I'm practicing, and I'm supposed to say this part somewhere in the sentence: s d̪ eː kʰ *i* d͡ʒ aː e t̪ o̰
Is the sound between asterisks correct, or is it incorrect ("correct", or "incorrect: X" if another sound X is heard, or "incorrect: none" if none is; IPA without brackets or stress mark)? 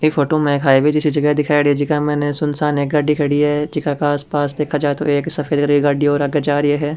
incorrect: a